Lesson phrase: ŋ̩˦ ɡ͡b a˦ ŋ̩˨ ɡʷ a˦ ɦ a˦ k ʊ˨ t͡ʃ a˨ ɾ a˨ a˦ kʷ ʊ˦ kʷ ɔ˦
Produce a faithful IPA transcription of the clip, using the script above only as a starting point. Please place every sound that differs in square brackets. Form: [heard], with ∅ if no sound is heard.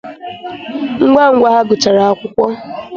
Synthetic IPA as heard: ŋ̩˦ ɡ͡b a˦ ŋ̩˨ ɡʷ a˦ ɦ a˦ [ɡ] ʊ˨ t͡ʃ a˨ ɾ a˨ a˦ kʷ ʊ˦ kʷ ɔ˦